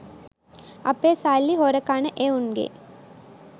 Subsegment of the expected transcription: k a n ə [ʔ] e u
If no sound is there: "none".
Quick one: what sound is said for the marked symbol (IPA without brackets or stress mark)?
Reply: ʔ